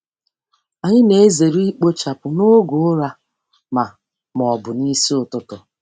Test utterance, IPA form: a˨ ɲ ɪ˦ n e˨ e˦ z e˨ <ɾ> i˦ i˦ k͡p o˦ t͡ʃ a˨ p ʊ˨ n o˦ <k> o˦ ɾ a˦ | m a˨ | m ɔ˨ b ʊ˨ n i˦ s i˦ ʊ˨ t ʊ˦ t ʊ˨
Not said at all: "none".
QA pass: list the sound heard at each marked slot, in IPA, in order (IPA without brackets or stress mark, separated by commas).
ɾ, ɡ